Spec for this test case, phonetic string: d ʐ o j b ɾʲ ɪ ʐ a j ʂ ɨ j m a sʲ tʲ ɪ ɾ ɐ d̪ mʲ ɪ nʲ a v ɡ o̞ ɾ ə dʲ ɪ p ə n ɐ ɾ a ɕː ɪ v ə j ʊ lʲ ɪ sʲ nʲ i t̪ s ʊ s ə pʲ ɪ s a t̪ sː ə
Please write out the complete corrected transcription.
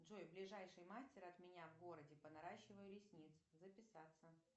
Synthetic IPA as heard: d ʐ o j b lʲ ɪ ʐ a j ʂ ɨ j m a sʲ tʲ ɪ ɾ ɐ t̪ mʲ ɪ nʲ a v ɡ o̞ ɾ ə dʲ ɪ p ə n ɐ ɾ a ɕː ɪ v ə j ʊ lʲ ɪ sʲ nʲ i t̪ s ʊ z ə pʲ ɪ s a t̪ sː ə